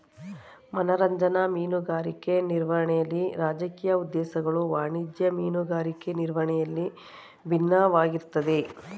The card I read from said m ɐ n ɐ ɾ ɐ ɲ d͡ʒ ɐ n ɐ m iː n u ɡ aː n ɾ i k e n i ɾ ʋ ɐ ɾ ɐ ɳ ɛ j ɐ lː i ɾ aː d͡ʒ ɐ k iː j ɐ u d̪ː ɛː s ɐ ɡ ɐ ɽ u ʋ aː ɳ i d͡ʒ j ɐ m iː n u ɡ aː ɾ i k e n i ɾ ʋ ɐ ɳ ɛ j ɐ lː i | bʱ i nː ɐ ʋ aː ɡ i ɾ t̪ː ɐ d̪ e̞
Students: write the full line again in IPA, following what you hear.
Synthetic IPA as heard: m ɐ n ɐ ɾ ɐ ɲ d͡ʒ ɐ n ɐ m iː n u ɡ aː ɾ i k e n i ɾ ʋ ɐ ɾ ɐ ɳ ɛ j ɐ lː i ɾ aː d͡ʒ ɐ k iː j ɐ u d̪ː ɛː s ɐ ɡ ɐ ɭ u ʋ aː ɳ i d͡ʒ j ɐ m iː n u ɡ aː ɾ i k e n i ɾ ʋ ɐ ɳ ɛ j ɐ lː i | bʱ i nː ɐ ʋ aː ɡ i ɾ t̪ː ɐ d̪ e̞

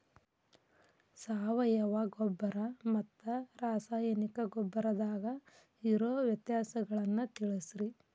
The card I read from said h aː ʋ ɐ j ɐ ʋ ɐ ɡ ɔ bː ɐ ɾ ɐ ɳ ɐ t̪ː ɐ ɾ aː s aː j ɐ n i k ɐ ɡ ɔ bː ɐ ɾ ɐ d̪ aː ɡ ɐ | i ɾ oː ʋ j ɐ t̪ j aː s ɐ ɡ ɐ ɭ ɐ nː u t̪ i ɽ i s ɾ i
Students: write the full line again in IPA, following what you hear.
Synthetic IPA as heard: s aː ʋ ɐ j ɐ ʋ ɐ ɡ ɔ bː ɐ ɾ ɐ m ɐ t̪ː ɐ ɾ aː s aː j ɐ n i k ɐ ɡ ɔ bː ɐ ɾ ɐ d̪ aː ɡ ɐ | i ɾ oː ʋ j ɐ t̪ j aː s ɐ ɡ ɐ ɭ ɐ nː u t̪ i ɭ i s ɾ i

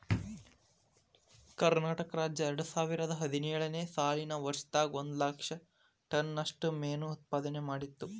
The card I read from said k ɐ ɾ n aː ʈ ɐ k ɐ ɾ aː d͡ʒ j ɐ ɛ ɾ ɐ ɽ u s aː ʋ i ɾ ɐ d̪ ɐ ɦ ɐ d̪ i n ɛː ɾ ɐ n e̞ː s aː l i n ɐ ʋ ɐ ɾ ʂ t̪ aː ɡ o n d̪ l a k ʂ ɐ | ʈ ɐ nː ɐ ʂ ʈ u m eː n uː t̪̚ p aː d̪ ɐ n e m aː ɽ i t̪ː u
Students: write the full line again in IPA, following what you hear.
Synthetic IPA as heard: k ɐ ɾ n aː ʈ ɐ k ɐ ɾ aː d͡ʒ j ɐ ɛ ɾ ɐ ɽ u s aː ʋ i ɾ ɐ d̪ ɐ ɦ ɐ d̪ i n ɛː ɭ ɐ n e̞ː s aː l i n ɐ ʋ ɐ ɾ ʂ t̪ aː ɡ o n d̪ l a k ʂ ɐ | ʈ ɐ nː ɐ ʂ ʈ u m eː n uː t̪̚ p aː d̪ ɐ n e m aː ɽ i t̪ː u

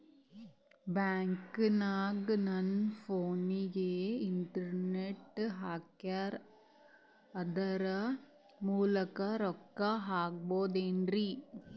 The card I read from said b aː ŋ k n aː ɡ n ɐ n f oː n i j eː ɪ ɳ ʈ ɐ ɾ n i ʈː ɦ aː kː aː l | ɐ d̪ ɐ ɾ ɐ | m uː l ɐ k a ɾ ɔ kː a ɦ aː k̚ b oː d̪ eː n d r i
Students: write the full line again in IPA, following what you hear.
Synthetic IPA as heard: b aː ŋ k n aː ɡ n ɐ n f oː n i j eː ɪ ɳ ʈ ɐ ɾ n e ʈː ɦ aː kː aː ɾ | ɐ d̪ ɐ ɾ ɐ | m uː l ɐ k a ɾ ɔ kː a ɦ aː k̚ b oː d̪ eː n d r i

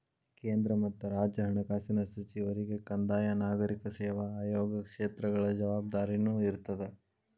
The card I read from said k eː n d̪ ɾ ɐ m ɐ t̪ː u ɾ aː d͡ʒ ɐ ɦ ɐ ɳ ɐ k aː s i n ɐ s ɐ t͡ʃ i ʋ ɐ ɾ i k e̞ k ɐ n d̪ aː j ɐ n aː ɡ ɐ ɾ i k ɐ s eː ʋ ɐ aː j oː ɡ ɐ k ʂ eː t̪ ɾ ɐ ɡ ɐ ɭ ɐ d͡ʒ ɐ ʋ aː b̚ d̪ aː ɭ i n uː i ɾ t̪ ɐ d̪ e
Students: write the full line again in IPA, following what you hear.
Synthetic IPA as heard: k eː n d̪ ɾ ɐ m ɐ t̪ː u ɾ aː d͡ʒ ɐ ɦ ɐ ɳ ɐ k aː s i n ɐ s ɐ t͡ʃ i ʋ ɐ ɾ i ɡ e̞ k ɐ n d̪ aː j ɐ n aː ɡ ɐ ɾ i k ɐ s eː ʋ ɐ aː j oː ɡ ɐ k ʂ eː t̪ ɾ ɐ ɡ ɐ ɭ ɐ d͡ʒ ɐ ʋ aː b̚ d̪ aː ɾ i n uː i ɾ t̪ ɐ d̪ e

